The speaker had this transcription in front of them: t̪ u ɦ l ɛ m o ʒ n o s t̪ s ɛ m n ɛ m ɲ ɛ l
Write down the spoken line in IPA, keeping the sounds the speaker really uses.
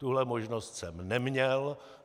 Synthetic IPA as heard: t̪ u ɦ l ɛ m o ʒ n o s t̪ s ɛ m n ɛ m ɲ ɛ l

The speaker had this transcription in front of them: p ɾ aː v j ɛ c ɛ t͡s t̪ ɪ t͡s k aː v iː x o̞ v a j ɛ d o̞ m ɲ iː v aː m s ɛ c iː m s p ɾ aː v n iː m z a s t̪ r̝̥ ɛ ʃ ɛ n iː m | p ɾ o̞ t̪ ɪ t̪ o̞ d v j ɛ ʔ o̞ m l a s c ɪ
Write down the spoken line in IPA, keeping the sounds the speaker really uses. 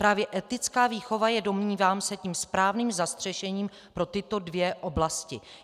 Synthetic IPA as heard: p ɾ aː v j ɛ ʔ ɛ t̪ ɪ t͡s k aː v iː x o̞ v a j ɛ d o̞ m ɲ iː v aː m s ɛ c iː m s p ɾ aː v n iː m z a s t̪ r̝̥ ɛ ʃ ɛ ɲ iː m | p ɾ o̞ t̪ ɪ t̪ o̞ d v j ɛ ʔ o̞ b l a s c ɪ

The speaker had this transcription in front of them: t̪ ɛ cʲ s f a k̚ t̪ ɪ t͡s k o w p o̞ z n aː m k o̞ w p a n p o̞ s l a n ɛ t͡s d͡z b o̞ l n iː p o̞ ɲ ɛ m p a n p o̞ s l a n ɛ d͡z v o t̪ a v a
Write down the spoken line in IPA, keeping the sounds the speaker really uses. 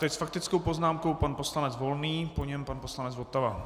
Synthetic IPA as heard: t̪ ɛ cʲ s f a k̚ t̪ ɪ t͡s k o w p o̞ z n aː m k o̞ w p a n p o̞ s l a n ɛ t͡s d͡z v o̞ l n iː p o̞ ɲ ɛ m p a n p o̞ s l a n ɛ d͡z v o t̪ a v a

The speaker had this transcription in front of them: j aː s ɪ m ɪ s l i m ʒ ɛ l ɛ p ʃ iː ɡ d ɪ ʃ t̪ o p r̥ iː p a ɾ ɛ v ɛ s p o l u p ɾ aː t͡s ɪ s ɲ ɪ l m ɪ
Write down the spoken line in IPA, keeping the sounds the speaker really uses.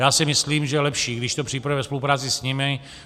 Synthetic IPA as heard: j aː s ɪ m ɪ s l iː m ʒ ɛ l ɛ p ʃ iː ɡ d ɪ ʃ t̪ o p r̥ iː p a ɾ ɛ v ɛ s p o l u p ɾ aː t͡s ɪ s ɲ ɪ m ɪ

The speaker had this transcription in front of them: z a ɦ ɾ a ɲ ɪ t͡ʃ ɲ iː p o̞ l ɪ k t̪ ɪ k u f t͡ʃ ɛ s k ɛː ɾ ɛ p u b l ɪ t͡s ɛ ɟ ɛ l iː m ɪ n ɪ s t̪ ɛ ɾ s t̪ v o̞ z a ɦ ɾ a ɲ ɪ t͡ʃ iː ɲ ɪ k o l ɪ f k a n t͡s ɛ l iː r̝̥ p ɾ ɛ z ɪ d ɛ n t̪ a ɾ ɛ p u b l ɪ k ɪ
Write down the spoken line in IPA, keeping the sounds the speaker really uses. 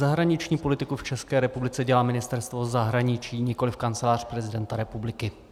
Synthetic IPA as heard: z a ɦ ɾ a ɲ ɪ t͡ʃ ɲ iː p o̞ l ɪ t̪ ɪ k u f t͡ʃ ɛ s k ɛː ɾ ɛ p u b l ɪ t͡s ɛ ɟ ɛ l aː m ɪ n ɪ s t̪ ɛ ɾ s t̪ v o̞ z a ɦ ɾ a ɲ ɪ t͡ʃ iː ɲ ɪ k o l ɪ f k a n t͡s ɛ l aː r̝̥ p ɾ ɛ z ɪ d ɛ n t̪ a ɾ ɛ p u b l ɪ k ɪ

